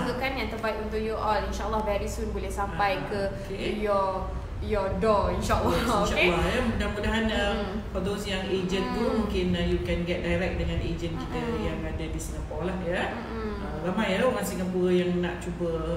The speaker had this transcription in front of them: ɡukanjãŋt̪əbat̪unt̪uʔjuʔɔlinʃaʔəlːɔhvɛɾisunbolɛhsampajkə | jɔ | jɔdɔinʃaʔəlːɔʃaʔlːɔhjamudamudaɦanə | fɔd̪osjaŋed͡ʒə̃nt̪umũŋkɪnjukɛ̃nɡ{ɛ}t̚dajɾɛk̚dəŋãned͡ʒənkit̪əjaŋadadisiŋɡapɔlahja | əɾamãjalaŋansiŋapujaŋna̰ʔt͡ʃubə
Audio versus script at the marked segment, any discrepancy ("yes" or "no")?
no